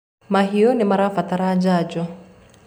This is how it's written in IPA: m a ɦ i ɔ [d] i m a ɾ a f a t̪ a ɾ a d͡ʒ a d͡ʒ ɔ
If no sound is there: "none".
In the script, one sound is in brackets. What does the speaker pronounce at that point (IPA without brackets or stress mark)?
n